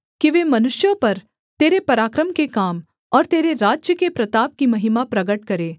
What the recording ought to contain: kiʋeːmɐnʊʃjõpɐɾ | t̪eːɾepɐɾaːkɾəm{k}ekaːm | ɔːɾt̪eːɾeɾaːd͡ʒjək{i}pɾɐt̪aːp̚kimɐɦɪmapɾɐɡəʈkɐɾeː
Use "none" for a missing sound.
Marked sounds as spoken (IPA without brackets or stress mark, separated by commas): k, e